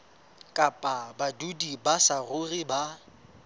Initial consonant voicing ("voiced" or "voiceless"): voiceless